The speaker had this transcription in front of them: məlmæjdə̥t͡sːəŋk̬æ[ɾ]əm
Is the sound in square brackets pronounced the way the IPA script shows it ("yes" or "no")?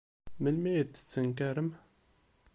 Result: yes